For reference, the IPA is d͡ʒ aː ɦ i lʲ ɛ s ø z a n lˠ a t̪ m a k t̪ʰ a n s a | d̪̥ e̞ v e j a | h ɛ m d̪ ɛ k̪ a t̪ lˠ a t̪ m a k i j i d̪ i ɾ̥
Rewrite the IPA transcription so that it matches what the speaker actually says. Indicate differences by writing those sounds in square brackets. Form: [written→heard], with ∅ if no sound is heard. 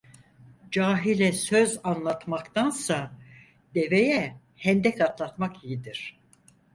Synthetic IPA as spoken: d͡ʒ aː ɦ i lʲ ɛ s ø z a n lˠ a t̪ m a k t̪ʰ a n s a | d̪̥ e̞ v e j [a→ɛ] | h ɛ [m→n] d̪ ɛ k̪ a t̪ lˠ a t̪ m a k i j i d̪ i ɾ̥